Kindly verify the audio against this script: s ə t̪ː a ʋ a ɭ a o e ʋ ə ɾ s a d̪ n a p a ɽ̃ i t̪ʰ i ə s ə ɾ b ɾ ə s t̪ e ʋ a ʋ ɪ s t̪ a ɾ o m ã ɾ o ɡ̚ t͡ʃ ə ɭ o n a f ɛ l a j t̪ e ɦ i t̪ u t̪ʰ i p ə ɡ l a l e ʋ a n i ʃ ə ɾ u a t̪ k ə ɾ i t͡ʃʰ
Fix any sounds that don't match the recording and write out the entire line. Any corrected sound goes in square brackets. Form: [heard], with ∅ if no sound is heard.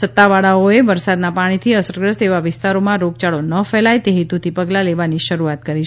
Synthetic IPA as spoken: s ə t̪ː a ʋ a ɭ a o e ʋ ə ɾ s a d̪ n a p a ɽ̃ i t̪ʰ i ə s ə ɾ [ɡ] ɾ ə s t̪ e ʋ a ʋ ɪ s t̪ a ɾ o m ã ɾ o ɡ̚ t͡ʃ [a] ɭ o n [ə] f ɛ l a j t̪ e ɦ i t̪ u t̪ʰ i p ə ɡ l a l e ʋ a n i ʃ ə ɾ u a t̪ k ə ɾ i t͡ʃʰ